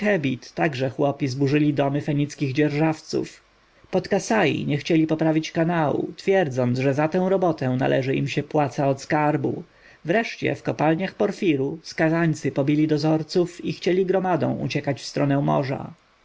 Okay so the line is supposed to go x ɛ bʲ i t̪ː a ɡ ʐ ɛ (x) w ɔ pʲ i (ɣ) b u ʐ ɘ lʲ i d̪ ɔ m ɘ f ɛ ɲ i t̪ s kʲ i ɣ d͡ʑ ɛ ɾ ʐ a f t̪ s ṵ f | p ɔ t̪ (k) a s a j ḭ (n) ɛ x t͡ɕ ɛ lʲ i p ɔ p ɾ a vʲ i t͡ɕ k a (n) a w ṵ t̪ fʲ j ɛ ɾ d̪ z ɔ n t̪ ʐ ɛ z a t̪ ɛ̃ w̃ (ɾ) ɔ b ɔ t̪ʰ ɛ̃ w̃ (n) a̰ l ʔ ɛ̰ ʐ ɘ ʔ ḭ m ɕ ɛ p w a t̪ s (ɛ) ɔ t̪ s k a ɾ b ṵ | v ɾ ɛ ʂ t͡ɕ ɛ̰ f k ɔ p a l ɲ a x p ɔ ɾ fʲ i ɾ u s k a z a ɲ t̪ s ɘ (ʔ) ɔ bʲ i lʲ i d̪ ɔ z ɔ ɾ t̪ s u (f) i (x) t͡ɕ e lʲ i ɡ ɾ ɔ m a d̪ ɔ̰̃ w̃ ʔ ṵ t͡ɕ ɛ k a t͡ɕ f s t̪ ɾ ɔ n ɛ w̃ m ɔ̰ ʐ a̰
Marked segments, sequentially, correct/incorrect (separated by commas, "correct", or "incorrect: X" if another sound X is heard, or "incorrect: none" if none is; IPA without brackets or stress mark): correct, incorrect: z, correct, incorrect: ɲ, correct, correct, correct, incorrect: a, incorrect: p, correct, correct